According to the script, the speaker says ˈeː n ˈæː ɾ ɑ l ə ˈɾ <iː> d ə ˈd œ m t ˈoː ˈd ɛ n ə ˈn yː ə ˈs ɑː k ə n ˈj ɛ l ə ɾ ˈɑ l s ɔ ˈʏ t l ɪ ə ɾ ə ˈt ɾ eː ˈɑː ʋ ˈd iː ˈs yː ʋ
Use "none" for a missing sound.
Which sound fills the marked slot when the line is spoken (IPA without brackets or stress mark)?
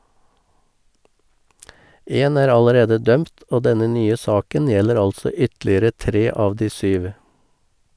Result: eː